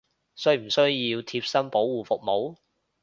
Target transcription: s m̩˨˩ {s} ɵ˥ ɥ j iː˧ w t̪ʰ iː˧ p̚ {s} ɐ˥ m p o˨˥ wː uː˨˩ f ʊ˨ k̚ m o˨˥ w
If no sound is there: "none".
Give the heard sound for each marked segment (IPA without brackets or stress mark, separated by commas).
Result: s, s